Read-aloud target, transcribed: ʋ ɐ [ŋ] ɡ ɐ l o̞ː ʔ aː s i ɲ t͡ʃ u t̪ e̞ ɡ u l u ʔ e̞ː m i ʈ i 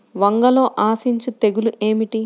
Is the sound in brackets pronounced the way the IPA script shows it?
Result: yes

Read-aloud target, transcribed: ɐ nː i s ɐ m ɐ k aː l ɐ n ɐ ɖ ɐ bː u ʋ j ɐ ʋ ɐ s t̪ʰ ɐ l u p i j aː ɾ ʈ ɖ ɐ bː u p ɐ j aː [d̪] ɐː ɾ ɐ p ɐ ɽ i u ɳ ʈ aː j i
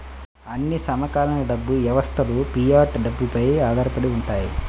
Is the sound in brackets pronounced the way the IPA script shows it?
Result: yes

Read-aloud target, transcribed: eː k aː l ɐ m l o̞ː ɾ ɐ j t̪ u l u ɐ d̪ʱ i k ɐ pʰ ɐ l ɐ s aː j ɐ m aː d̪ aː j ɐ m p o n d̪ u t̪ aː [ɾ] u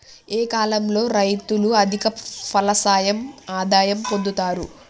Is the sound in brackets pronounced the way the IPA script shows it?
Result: yes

